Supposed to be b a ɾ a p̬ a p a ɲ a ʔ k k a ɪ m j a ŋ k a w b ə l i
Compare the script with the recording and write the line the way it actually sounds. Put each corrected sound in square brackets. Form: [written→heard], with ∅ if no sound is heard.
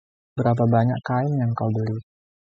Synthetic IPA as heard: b [a→ə] ɾ a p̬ a [p→b] a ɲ a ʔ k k a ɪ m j a ŋ k a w b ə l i